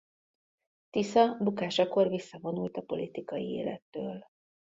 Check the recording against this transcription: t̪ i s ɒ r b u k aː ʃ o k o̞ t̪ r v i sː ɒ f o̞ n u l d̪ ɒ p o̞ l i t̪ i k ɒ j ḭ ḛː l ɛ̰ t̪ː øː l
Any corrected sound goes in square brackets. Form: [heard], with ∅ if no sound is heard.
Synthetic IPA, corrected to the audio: t̪ i s ɒ [∅] b u k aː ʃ [ɒ] k o̞ [∅] r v i sː ɒ [v] o̞ n u l [t̪] ɒ p o̞ l i t̪ i k ɒ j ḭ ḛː l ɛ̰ t̪ː øː l